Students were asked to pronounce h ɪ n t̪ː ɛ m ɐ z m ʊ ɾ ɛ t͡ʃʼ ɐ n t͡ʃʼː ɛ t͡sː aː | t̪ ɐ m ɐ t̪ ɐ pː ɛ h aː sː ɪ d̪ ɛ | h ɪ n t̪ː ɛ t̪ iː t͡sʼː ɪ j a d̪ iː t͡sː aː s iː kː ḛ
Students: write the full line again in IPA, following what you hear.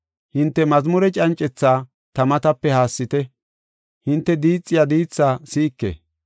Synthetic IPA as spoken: h ɪ n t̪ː ɛ m ɐ z m ʊ ɾ ɛ t͡ʃʼ ɐ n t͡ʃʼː ɛ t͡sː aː | t̪ ɐ m ɐ t̪ ɐ pː ɛ h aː sː ɪ t̪ ɛ | h ɪ n t̪ː ɛ d̪ iː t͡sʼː ɪ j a d̪ iː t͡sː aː s iː kː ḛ